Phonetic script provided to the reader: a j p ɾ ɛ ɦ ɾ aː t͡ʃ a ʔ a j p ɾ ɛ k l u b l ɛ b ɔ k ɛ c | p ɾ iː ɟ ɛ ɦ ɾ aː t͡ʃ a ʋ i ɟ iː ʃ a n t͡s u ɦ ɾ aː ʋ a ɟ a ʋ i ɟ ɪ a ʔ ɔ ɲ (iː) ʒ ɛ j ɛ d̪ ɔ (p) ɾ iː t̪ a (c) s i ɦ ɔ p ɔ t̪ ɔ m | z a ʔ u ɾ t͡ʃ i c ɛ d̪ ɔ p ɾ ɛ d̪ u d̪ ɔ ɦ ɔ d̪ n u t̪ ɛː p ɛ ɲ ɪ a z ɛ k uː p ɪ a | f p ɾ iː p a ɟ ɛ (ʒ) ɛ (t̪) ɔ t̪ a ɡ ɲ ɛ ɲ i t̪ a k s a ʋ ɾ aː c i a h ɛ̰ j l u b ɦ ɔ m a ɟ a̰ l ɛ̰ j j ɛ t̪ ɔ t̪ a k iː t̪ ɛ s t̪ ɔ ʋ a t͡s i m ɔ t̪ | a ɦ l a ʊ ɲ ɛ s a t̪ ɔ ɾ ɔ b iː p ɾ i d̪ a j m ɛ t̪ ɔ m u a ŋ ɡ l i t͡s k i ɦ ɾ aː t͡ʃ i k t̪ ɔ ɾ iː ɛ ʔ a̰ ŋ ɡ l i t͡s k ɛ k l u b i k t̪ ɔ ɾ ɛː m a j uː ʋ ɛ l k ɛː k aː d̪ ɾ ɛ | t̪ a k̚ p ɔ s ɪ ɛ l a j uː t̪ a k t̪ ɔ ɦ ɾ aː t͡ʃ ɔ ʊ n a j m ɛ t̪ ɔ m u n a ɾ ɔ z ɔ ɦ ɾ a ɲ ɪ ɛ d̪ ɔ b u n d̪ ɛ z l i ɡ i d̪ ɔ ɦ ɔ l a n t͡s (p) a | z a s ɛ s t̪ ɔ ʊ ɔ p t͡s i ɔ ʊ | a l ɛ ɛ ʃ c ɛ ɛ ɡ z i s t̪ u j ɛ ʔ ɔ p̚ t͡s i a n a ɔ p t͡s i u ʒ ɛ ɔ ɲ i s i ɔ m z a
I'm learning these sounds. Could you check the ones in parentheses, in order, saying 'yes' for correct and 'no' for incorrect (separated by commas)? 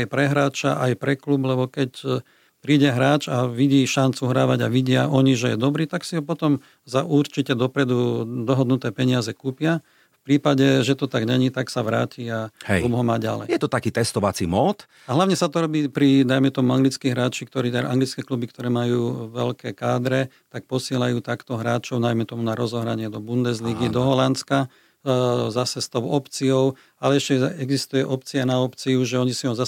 no, no, no, yes, yes, no